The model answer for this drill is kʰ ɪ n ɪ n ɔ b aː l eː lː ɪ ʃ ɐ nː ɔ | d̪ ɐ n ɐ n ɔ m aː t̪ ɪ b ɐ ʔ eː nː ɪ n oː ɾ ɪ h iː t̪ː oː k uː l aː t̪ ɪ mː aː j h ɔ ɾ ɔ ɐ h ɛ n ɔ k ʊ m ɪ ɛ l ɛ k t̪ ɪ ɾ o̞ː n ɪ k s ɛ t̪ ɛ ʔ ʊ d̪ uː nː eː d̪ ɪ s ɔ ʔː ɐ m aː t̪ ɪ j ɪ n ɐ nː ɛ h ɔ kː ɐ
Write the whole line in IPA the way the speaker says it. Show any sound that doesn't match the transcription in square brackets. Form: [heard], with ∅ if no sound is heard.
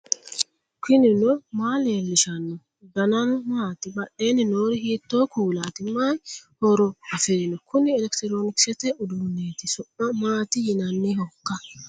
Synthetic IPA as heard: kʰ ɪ n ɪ n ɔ [m] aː l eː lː ɪ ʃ ɐ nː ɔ | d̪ ɐ n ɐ n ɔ m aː t̪ ɪ b ɐ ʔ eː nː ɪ n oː ɾ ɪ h iː t̪ː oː k uː l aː t̪ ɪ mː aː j h ɔ ɾ ɔ ɐ [f] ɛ n ɔ k ʊ [n] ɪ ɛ l ɛ k t̪ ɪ ɾ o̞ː n ɪ k s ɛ t̪ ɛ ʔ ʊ d̪ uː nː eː [t̪] ɪ s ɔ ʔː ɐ m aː t̪ ɪ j ɪ n ɐ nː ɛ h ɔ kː ɐ